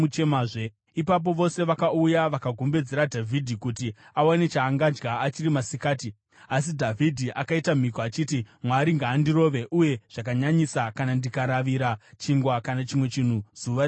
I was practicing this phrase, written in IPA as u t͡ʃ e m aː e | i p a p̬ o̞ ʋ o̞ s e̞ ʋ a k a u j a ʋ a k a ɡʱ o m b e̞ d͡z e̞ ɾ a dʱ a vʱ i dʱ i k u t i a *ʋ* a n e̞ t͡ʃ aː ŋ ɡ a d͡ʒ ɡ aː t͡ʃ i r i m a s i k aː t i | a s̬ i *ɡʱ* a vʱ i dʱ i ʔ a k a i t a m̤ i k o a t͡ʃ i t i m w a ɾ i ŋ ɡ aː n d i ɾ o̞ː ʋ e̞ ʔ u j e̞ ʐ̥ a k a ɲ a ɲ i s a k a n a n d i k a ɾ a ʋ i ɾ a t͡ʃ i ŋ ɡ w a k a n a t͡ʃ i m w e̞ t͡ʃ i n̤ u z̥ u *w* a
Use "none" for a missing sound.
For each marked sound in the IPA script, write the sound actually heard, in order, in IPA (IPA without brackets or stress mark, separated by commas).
w, dʱ, ʋ